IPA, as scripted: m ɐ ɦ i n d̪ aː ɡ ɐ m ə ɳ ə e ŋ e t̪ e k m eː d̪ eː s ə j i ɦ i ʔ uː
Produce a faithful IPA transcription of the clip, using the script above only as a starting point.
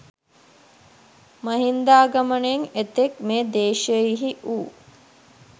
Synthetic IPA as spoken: m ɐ ɦ i n d̪ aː ɡ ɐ m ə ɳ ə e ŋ e t̪ e k m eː d̪ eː ʃ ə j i ɦ i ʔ uː